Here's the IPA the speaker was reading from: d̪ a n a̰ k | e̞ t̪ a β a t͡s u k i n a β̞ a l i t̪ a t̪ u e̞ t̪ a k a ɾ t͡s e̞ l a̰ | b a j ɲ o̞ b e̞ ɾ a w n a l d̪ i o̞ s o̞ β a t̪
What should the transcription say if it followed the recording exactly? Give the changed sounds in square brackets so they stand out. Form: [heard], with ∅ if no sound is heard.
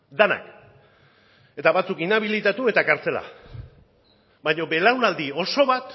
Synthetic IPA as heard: d̪ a n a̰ k | e̞ t̪ a β a t͡s u k i n a β̞ [i] l i t̪ a t̪ u e̞ t̪ a k a ɾ t͡s e̞ l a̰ | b a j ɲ o̞ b e̞ [l] a w n a l d̪ i o̞ s o̞ β a t̪

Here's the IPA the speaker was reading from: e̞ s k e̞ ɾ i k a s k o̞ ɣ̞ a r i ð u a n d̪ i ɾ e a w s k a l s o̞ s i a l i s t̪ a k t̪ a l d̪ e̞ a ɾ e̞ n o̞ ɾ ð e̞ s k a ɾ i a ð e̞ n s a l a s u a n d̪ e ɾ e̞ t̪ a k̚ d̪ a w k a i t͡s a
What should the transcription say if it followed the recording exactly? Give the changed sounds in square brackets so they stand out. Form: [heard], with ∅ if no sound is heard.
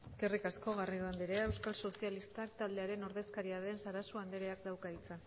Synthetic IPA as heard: e̞ s k e̞ [r] i k a s k o̞ ɣ̞ a r i ð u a n d̪ i ɾ e [e] w s k a l s o̞ s i a l i s t̪ a k t̪ a l d̪ e̞ a ɾ e̞ n o̞ ɾ ð e̞ s k a ɾ i a ð e̞ n s a [ɾ] a s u a n d̪ e ɾ e̞ [∅] a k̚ d̪ a w k a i t͡s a

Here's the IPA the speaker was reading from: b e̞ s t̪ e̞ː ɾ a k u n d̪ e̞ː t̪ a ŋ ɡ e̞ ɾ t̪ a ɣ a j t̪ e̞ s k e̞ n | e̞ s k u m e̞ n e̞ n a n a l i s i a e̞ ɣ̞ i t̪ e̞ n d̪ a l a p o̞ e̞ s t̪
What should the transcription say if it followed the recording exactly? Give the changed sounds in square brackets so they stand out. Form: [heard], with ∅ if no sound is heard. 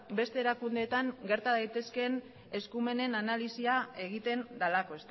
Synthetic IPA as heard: b e̞ s t̪ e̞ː ɾ a k u n d̪ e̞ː t̪ a ŋ ɡ e̞ ɾ t̪ a [ð] a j t̪ e̞ s k e̞ n | e̞ s k u m e̞ n e̞ n a n a l i s i a e̞ ɣ̞ i t̪ e̞ n d̪ a l a [k] o̞ e̞ s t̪

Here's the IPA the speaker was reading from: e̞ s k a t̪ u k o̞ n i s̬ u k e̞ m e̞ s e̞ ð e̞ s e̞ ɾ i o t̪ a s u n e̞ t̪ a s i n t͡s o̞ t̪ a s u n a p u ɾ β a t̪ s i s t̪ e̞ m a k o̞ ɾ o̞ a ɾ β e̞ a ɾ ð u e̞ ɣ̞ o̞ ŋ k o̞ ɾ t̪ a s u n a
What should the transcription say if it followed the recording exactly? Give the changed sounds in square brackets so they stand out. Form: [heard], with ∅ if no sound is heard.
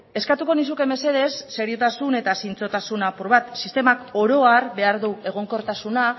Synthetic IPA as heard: e̞ s k a t̪ u k o̞ n i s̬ u k e̞ m e̞ s e̞ ð e̞ [sː] e̞ ɾ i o t̪ a s u n e̞ t̪ a s i n t͡s o̞ t̪ a s u n a p u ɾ β a t̪ s i s t̪ e̞ m a k o̞ ɾ o̞ a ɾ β e̞ a ɾ ð u e̞ ɣ̞ o̞ ŋ k o̞ ɾ t̪ a s u n a

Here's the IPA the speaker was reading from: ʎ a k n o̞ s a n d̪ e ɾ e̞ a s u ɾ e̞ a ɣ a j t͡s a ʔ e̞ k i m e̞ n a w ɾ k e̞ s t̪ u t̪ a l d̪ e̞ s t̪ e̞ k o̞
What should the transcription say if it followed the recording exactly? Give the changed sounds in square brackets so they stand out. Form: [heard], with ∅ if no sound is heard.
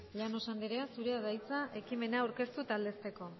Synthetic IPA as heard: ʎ a [∅] n o̞ s a n d̪ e ɾ e̞ a s u ɾ e̞ a [ð] a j t͡s a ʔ e̞ k i m e̞ n a w ɾ k e̞ s t̪ u t̪ a l d̪ e̞ s t̪ e̞ k o̞

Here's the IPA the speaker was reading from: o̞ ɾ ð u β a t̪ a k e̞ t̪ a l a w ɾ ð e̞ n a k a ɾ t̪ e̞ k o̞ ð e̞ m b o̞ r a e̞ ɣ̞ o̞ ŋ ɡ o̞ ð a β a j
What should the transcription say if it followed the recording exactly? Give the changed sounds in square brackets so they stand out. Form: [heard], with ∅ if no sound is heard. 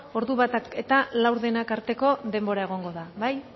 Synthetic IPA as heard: o̞ ɾ ð u β a t̪ a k e̞ t̪ a l a w ɾ ð e̞ n a k a ɾ t̪ e̞ k o̞ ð e̞ m b o̞ [ɾ] a e̞ ɣ̞ o̞ ŋ ɡ o̞ ð a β a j

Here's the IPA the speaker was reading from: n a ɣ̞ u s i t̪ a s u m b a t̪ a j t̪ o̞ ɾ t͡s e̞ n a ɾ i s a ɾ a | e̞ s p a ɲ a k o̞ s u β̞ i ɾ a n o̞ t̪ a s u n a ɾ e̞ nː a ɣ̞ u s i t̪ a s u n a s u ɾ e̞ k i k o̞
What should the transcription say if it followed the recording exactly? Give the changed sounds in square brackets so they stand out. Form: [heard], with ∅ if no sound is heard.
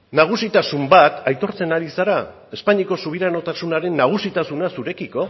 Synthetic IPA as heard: n a ɣ̞ u s i t̪ a s u m b a t̪ a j t̪ o̞ ɾ t͡s e̞ n a ɾ i s a ɾ a | e̞ s p a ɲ [i] k o̞ s u β̞ i ɾ a n o̞ t̪ a s u n a ɾ e̞ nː a ɣ̞ u s i t̪ a s u n a s u ɾ e̞ k i k o̞

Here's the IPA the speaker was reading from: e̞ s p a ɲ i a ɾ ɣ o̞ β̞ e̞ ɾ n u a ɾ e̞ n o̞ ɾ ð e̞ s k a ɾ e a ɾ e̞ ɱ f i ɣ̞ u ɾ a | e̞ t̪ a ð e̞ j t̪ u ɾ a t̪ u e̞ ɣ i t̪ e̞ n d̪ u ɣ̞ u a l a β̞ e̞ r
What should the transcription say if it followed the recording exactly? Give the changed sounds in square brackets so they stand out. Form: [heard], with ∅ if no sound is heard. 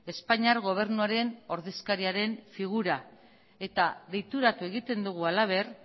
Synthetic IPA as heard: e̞ s p a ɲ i a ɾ ɣ o̞ β̞ e̞ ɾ n u a ɾ e̞ n o̞ ɾ ð e̞ s k a ɾ [i] a ɾ e̞ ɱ f i ɣ̞ u ɾ a | e̞ t̪ a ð e̞ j t̪ u ɾ a t̪ u e̞ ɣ i t̪ e̞ n d̪ u ɣ̞ u a l a β̞ e̞ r

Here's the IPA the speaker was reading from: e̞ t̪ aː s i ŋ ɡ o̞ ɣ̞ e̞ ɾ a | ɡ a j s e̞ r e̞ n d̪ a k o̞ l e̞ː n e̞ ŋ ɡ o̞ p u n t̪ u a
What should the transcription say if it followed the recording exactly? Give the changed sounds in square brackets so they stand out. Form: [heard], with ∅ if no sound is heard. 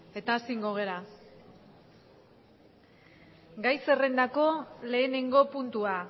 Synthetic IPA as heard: e̞ t̪ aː s i ŋ ɡ o̞ ɣ̞ e̞ ɾ a | ɡ a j s e̞ r e̞ n d̪ a k o̞ l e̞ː n e̞ ŋ ɡ o̞ p u n t̪ u a

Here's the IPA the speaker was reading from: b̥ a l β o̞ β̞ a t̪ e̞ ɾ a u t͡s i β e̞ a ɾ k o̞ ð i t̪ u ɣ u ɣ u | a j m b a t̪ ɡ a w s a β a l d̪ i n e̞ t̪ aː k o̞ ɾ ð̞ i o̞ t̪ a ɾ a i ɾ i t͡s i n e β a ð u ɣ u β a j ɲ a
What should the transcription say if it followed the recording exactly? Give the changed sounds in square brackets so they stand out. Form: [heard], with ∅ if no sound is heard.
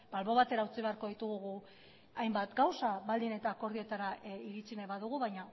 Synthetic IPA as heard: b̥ a l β o̞ β̞ a t̪ e̞ ɾ a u t͡s i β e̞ a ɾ k o̞ ð i t̪ u ɣ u ɣ u | a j m b a t̪ ɡ a w s a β a l d̪ i n e̞ t̪ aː k o̞ ɾ ð̞ i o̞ t̪ a ɾ a i ɾ i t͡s i n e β a ð u ɣ u β a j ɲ a

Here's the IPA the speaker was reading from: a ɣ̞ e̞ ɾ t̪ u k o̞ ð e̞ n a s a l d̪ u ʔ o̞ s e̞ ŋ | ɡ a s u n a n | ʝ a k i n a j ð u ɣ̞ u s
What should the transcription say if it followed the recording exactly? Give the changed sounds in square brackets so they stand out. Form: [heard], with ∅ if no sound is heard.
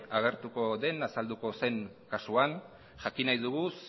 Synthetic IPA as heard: a ɣ̞ e̞ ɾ t̪ u k o̞ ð e̞ n a s a l d̪ u [k] o̞ s e̞ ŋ | [k] a s u [∅] a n | ʝ a k i n a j ð u ɣ̞ u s

